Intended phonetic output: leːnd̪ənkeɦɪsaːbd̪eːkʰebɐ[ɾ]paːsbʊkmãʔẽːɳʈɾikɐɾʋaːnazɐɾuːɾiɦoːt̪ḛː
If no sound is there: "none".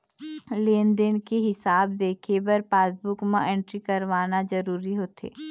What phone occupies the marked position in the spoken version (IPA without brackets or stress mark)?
ɾ